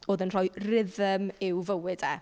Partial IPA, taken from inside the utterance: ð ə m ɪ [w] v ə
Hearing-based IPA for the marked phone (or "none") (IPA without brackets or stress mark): w